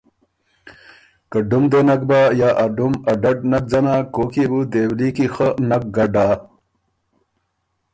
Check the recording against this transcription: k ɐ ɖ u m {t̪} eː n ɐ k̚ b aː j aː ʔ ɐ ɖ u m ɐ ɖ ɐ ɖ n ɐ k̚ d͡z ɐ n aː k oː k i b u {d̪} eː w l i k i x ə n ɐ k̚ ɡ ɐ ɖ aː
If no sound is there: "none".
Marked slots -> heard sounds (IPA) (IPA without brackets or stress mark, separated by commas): d̪, d̪